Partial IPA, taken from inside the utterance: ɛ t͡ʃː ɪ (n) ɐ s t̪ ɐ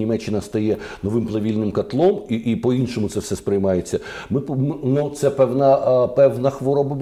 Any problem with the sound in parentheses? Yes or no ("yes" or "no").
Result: no